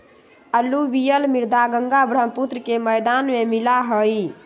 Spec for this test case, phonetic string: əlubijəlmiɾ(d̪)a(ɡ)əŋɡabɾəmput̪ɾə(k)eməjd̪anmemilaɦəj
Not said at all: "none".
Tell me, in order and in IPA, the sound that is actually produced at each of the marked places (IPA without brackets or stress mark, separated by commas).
d̪, ɡ, k